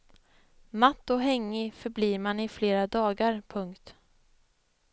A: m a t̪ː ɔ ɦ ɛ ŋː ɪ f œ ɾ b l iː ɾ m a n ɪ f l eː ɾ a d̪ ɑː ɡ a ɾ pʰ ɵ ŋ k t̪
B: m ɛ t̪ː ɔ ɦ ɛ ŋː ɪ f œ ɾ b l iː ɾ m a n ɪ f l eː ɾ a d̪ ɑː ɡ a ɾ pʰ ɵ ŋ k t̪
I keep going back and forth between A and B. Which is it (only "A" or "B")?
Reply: A